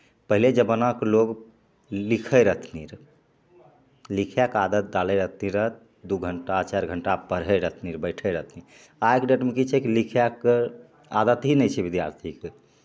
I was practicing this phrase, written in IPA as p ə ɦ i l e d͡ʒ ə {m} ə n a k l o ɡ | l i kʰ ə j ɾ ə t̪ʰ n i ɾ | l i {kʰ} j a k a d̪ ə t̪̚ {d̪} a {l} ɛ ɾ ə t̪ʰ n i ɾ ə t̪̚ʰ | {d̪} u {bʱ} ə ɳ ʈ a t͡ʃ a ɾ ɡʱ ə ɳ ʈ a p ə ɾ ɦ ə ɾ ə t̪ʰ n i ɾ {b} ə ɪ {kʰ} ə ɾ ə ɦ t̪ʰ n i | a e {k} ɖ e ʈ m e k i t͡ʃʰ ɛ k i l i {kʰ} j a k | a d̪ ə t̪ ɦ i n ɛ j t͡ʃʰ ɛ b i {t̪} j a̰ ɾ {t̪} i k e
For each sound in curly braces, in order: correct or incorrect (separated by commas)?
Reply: incorrect, correct, correct, correct, correct, incorrect, correct, incorrect, correct, correct, incorrect, incorrect